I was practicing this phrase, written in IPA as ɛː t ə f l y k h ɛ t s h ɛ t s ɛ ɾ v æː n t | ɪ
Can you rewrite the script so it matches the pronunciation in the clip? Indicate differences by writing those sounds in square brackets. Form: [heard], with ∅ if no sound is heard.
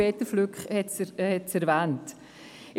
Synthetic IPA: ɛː t ə f l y k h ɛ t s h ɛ t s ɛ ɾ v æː n t | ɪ